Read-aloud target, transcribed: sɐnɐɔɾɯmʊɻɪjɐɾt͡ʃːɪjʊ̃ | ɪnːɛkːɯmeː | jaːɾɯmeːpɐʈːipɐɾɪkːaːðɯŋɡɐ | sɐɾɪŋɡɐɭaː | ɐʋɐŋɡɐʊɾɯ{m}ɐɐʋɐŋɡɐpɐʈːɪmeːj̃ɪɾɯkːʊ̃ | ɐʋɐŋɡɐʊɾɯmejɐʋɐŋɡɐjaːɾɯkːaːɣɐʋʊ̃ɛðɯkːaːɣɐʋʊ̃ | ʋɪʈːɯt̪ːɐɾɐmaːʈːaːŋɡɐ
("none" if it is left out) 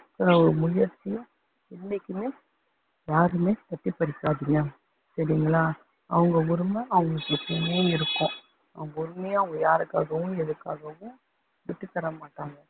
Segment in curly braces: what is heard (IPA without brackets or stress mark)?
m